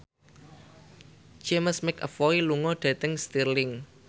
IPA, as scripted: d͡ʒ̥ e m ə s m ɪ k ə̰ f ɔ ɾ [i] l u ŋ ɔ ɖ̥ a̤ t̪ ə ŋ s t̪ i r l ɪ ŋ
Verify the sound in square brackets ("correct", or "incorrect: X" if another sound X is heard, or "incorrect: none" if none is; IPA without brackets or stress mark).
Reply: correct